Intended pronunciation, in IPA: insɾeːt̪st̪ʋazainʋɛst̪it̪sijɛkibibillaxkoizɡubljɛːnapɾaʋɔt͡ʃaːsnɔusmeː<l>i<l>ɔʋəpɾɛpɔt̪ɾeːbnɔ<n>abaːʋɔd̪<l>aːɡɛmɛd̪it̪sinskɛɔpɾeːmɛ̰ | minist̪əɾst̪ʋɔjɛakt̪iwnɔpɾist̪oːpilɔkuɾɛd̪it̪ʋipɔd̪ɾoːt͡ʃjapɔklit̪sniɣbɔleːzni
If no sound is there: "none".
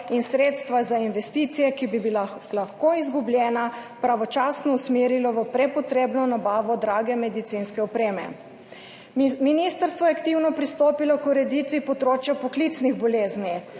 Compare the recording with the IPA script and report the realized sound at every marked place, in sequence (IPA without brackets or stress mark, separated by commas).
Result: ɾ, l, n, ɾ